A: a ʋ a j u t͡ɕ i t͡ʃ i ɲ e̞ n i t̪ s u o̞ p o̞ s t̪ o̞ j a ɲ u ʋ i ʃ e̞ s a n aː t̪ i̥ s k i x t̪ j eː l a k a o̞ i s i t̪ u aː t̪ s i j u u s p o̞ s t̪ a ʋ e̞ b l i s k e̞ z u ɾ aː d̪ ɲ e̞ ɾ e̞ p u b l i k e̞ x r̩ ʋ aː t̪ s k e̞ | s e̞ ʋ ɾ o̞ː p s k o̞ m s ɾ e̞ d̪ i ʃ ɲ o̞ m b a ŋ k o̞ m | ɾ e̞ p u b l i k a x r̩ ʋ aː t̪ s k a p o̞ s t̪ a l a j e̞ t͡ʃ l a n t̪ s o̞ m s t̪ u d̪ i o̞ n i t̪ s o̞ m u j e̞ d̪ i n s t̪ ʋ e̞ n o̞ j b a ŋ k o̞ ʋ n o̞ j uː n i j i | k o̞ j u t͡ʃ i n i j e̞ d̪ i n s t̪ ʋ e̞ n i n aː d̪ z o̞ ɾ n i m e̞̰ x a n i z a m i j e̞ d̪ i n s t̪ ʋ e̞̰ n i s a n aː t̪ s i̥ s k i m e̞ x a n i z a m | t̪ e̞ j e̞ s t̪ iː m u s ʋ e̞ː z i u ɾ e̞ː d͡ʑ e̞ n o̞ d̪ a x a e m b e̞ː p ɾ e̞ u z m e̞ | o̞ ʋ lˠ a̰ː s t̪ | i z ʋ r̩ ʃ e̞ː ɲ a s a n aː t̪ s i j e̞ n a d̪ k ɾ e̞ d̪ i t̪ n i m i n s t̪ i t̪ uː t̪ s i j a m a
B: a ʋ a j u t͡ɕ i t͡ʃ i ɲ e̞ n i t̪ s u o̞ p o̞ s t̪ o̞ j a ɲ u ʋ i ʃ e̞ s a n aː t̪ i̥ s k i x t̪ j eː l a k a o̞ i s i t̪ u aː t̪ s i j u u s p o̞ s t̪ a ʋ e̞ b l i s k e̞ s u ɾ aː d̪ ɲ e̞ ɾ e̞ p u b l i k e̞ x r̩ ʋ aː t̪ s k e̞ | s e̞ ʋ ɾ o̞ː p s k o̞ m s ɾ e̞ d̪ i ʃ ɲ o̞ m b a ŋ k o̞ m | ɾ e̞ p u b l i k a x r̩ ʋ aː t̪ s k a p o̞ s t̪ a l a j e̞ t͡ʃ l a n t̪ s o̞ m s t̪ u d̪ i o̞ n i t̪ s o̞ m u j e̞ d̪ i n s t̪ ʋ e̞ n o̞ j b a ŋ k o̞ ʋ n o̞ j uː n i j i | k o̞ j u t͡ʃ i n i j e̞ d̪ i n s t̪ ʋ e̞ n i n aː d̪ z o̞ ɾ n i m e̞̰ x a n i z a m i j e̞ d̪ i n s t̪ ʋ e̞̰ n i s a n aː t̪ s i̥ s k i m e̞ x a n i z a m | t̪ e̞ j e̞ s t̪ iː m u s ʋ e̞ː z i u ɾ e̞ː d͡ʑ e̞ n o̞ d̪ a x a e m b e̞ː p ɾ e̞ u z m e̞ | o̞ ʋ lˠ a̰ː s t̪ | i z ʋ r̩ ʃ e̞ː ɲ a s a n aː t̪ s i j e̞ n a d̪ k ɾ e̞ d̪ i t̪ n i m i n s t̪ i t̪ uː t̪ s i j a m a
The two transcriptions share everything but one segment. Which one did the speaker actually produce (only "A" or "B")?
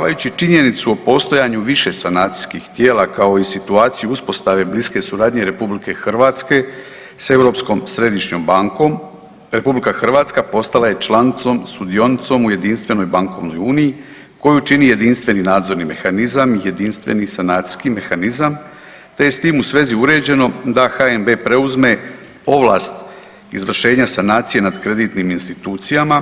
B